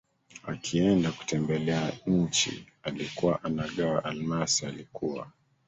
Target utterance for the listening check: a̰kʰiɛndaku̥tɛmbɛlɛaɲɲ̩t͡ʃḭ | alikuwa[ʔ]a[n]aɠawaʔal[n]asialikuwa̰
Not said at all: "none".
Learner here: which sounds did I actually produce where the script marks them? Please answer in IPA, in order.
ʔ, n, m

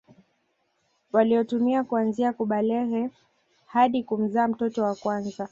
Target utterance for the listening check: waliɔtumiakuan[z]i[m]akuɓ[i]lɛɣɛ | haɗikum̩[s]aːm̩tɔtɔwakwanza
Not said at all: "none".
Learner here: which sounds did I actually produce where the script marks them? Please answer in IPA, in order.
z, none, a, z

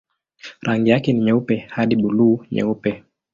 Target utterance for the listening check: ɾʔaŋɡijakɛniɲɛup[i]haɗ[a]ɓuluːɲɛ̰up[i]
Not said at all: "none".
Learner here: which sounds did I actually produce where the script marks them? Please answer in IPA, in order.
ɛ, i, ɛ

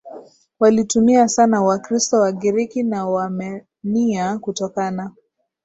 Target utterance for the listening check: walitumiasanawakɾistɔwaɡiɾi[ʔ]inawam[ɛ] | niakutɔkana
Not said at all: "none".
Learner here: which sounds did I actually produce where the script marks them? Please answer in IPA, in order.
k, ɛ

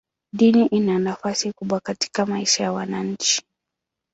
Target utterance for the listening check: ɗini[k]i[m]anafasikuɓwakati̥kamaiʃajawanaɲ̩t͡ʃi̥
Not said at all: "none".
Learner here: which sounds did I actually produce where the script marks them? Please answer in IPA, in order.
ʔ, n

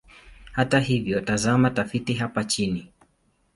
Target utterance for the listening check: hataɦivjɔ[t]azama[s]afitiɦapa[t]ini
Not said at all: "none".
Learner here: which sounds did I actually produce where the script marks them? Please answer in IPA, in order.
t, t, t͡ʃ

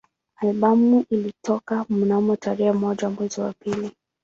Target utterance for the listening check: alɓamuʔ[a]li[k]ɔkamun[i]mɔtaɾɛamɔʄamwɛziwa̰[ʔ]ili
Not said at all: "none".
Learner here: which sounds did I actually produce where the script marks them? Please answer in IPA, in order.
i, t, a, p

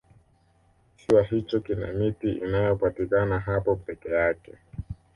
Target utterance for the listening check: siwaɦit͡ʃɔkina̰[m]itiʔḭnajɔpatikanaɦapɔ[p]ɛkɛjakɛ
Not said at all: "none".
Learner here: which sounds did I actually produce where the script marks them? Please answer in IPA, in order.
m, p

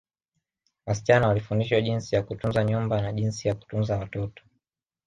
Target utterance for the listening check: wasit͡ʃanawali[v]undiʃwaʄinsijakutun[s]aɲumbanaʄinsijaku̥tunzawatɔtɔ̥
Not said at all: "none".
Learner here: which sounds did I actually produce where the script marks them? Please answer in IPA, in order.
f, z

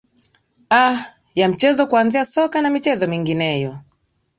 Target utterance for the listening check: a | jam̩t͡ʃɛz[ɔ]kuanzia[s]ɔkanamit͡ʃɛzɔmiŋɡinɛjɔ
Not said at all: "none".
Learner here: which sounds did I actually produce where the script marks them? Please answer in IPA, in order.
ɔ, s

